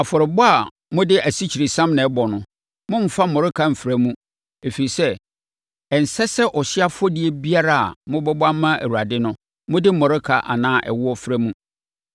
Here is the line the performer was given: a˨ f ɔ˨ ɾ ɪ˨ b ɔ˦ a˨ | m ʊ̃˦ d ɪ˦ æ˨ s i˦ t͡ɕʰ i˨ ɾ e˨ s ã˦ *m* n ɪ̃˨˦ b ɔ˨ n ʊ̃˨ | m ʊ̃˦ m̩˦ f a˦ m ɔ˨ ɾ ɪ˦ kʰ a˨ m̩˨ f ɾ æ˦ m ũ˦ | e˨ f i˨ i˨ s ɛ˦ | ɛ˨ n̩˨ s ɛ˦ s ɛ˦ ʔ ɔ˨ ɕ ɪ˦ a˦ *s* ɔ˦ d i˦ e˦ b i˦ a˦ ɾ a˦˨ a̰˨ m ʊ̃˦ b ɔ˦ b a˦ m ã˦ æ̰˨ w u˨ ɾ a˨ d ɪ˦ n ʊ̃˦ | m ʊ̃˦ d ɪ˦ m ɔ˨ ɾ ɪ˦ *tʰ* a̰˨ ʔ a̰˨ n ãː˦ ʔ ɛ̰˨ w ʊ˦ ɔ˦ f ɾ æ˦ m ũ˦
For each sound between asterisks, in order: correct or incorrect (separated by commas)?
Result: correct, incorrect, incorrect